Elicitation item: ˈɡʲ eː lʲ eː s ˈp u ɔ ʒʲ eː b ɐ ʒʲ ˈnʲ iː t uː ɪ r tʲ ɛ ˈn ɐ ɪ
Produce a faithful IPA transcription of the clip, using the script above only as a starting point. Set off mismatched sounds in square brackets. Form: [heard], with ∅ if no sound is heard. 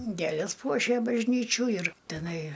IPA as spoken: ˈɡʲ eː lʲ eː s ˈp u ɔ [ʃʲ] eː b ɐ ʒʲ ˈnʲ iː [t͡ʃʲ] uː ɪ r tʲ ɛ ˈn ɐ ɪ